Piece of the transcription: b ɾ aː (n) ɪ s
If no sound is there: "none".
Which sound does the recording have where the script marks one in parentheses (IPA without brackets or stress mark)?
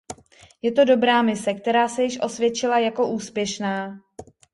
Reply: m